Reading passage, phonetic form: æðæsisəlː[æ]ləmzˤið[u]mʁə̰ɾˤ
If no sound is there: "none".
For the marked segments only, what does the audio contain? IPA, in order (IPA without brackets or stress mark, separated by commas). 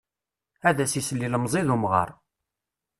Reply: i, u